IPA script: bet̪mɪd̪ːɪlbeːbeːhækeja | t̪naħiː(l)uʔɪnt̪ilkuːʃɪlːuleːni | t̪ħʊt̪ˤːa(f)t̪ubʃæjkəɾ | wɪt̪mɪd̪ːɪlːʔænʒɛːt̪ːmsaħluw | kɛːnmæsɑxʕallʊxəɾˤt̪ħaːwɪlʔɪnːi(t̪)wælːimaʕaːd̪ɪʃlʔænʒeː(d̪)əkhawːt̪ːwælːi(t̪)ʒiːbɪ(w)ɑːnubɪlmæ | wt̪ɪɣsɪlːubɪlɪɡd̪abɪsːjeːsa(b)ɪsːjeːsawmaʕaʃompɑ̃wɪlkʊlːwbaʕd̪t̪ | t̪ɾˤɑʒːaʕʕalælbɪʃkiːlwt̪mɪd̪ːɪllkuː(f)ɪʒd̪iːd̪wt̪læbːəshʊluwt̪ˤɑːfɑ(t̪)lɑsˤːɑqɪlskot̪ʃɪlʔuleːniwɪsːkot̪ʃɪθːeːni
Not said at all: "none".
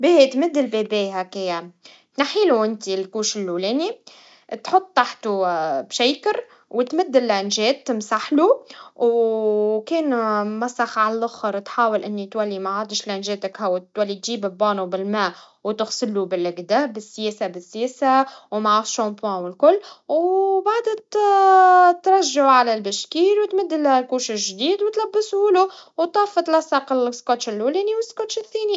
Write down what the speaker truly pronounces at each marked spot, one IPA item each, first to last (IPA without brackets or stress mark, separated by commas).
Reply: l, ħ, t̪, t̪, t̪, b, b, ʃ, t̪